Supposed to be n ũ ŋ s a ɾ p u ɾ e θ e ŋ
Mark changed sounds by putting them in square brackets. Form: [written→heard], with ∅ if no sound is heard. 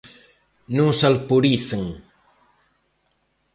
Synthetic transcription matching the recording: n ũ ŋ s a [ɾ→l] p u ɾ [e→i] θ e ŋ

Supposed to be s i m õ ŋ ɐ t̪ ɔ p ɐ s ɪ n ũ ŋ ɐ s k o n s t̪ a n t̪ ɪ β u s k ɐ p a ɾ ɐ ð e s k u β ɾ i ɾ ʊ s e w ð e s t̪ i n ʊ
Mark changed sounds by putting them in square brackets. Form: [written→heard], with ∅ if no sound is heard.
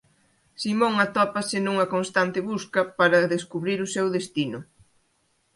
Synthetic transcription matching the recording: s i m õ ŋ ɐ t̪ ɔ p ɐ s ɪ n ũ ŋ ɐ [s→∅] k o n s t̪ a n t̪ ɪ β u s k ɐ p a ɾ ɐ ð e s k u β ɾ i ɾ ʊ s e w ð e s t̪ i n ʊ

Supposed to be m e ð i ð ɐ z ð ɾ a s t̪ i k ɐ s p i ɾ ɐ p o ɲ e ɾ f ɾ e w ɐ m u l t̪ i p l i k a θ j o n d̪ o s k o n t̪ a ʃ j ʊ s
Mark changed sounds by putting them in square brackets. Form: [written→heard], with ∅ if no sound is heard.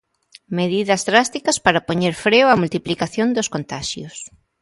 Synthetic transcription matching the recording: m e ð i ð ɐ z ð ɾ a s t̪ i k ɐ s p [i→a] ɾ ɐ p o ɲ e ɾ f ɾ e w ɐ m u l t̪ i p l i k a θ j o n d̪ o s k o n t̪ a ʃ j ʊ s

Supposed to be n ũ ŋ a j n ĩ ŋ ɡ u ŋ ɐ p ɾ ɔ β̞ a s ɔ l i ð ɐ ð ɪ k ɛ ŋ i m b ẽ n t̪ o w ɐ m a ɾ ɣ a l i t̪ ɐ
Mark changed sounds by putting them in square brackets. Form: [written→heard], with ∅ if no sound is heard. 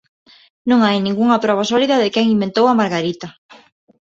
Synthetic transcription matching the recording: n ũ ŋ a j n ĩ ŋ ɡ u ŋ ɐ p ɾ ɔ β̞ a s ɔ l i ð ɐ ð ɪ k ɛ ŋ i m b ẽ n t̪ o w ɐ m a ɾ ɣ a [l→ɾ] i t̪ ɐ

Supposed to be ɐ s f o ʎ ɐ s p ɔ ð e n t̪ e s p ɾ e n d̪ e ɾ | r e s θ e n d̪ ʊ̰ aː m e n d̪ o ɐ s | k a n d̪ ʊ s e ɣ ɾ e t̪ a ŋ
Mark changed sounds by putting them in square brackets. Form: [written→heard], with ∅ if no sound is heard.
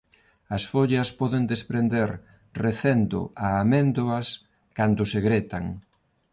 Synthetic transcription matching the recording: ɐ s f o ʎ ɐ s p ɔ ð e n [t̪→d̪] e s p ɾ e n d̪ e ɾ | r e [s→∅] θ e n d̪ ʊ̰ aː m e n d̪ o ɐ s | k a n d̪ ʊ s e ɣ ɾ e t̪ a ŋ

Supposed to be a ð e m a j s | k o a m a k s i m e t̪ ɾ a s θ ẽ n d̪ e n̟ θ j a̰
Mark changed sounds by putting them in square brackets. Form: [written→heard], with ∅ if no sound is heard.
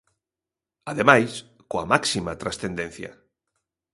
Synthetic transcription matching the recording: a ð e m a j s | k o a m a k s i m [e→a] t̪ ɾ a s θ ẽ n d̪ e n̟ θ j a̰

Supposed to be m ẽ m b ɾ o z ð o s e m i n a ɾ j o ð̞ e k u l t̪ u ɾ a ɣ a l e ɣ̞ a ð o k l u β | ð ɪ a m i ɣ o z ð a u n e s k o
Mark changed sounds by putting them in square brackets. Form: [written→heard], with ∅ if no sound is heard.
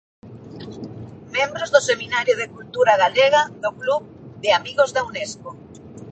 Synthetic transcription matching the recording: m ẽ m b ɾ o z ð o s e m i n a ɾ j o ð̞ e k u l t̪ u ɾ a ɣ a l e ɣ̞ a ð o k l u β | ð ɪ a m i ɣ o z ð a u n e s k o

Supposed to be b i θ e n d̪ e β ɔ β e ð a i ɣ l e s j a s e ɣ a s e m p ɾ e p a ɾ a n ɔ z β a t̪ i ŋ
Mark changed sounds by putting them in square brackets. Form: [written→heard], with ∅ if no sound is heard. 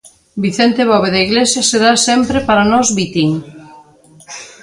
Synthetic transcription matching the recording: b i θ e n [d̪→t̪] e β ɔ β e ð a i ɣ l e s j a s e [ɣ→ð] a s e m p ɾ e p a ɾ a n ɔ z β [a→i] t̪ i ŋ

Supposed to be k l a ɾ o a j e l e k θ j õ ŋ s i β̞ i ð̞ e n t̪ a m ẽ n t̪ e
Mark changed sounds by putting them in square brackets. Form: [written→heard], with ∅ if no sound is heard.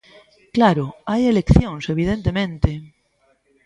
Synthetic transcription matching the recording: k l a ɾ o a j e l e k θ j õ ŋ s [i→e] β̞ i ð̞ e n t̪ [a→e] m ẽ n t̪ e

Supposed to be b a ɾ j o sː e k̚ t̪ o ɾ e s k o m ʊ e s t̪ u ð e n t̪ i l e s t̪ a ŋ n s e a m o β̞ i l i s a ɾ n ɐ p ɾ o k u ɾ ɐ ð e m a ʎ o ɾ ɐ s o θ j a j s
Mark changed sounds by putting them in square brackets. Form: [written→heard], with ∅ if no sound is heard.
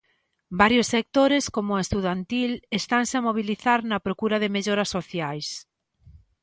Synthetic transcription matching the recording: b a ɾ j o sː e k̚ t̪ o ɾ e s k o m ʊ e s t̪ u ð [e→a] n t̪ i l e s t̪ a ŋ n s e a m o β̞ i l i [s→θ] a ɾ n ɐ p ɾ o k u ɾ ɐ ð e m [a→e] ʎ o ɾ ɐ s o θ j a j s

